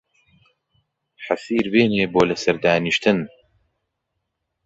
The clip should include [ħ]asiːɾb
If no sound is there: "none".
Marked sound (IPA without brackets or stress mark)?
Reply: ħ